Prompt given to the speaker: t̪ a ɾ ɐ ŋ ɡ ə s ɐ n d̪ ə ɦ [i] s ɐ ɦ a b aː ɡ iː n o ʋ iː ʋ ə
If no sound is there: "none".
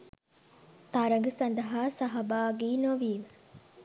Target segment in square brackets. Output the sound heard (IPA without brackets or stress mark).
a